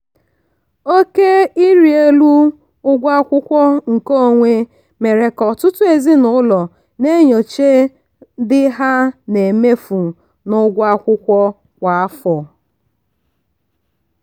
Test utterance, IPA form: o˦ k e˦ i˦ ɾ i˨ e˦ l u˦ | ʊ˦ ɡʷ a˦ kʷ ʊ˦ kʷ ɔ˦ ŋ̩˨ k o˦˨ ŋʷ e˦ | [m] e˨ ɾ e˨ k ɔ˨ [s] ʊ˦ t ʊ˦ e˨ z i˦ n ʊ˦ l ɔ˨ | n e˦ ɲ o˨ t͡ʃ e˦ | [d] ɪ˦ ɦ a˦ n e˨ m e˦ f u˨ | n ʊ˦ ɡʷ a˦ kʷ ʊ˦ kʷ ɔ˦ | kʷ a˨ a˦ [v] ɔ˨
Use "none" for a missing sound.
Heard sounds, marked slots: m, t, d, f

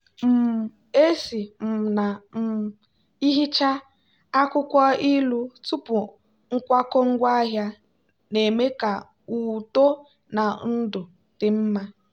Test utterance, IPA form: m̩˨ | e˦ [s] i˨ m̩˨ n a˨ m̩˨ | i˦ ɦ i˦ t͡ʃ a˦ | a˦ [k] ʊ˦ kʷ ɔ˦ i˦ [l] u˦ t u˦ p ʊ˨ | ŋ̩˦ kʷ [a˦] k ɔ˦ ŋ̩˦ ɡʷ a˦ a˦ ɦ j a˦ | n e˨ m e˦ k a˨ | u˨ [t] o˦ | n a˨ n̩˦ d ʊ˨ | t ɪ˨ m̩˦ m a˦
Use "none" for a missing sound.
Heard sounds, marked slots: s, k, l, a˦, t

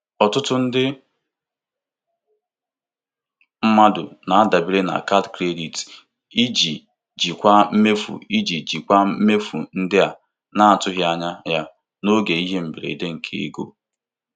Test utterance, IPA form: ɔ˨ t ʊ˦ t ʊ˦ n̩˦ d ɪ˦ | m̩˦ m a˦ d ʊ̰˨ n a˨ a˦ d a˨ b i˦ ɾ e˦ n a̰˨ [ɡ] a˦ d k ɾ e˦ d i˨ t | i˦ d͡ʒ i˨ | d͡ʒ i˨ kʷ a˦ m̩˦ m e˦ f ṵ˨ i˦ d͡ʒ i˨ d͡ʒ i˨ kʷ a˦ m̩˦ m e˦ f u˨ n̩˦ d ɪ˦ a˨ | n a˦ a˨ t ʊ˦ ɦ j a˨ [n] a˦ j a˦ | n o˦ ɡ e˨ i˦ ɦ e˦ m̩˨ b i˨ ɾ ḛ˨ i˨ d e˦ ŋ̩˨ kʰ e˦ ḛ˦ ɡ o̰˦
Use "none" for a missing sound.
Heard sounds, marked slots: k, ɲ

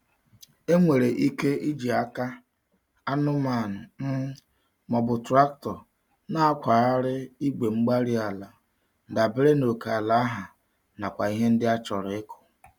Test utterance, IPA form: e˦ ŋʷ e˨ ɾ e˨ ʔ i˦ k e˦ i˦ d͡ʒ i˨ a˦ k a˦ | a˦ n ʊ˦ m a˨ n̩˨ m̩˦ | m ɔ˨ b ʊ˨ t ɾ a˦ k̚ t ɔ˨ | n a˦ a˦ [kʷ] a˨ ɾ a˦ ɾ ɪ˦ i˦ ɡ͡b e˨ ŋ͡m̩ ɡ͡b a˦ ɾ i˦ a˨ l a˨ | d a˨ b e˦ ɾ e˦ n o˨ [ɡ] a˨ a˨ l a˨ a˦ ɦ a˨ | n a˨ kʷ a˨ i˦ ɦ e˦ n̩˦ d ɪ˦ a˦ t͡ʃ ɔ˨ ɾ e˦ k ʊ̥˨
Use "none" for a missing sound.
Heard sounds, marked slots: kʷ, k

